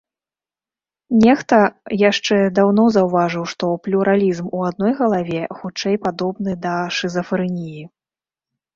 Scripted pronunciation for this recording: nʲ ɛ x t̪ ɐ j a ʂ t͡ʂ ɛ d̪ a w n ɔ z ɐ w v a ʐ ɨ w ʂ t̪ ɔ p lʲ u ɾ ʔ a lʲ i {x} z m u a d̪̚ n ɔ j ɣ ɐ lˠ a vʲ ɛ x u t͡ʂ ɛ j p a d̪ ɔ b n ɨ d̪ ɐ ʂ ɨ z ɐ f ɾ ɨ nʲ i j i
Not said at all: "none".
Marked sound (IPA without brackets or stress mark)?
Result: none